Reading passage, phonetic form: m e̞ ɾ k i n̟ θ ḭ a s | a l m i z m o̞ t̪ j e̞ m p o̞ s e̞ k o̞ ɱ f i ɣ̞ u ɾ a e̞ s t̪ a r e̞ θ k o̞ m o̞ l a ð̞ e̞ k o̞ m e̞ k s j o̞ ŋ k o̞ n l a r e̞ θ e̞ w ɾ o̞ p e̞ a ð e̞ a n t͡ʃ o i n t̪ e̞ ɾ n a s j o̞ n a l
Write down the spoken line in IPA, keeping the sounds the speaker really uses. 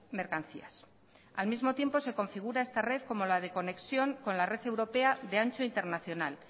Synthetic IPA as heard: m e̞ ɾ k a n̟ θ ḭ a s | a l m i z m o̞ t̪ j e̞ m p o̞ s e̞ k o̞ ɱ f i ɣ̞ u ɾ a e̞ s t̪ a r e̞ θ k o̞ m o̞ l a ð̞ e̞ k o̞ n e̞ k s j o̞ ŋ k o̞ n l a r e̞ θ e̞ w ɾ o̞ p e̞ a ð e̞ a n t͡ʃ o i n t̪ e̞ ɾ n a θ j o̞ n a l

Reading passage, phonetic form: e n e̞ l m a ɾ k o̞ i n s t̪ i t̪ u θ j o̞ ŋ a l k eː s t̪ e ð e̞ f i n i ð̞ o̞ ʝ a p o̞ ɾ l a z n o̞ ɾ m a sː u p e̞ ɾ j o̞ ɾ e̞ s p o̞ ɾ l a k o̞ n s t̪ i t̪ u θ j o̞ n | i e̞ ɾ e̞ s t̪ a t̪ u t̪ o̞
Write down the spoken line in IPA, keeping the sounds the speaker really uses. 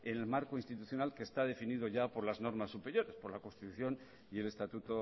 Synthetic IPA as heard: e n e̞ l m a ɾ k o̞ i n s t̪ i t̪ u θ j o̞ n a l k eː s t̪ a ð e̞ f i n i ð̞ o̞ ʝ a p o̞ ɾ l a z n o̞ ɾ m a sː u p e̞ ɾ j o̞ ɾ e̞ s p o̞ ɾ l a k o̞ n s t̪ i t̪ u θ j o̞ n | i e̞ l e̞ s t̪ a t̪ u t̪ o̞

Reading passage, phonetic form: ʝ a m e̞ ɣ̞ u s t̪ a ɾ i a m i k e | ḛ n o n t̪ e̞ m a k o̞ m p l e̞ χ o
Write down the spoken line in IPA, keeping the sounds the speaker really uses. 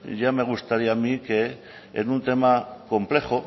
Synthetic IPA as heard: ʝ a m e̞ ɣ̞ u s t̪ a ɾ i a m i k e | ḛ n u n t̪ e̞ m a k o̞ m p l e̞ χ o

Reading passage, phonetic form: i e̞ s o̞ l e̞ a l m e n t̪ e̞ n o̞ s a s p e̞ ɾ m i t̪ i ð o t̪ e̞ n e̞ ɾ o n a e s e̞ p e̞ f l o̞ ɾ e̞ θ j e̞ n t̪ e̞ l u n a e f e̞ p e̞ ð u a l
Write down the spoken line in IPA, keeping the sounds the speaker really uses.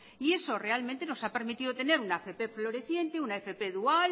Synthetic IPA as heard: i e̞ s o̞ r e̞ a l m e n t̪ e̞ n o̞ s a p e̞ ɾ m i t̪ i ð o t̪ e̞ n e̞ ɾ u n a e f e̞ p e̞ f l o̞ ɾ e̞ θ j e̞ n t̪ e̞ u n a e f e̞ p e̞ ð u a l

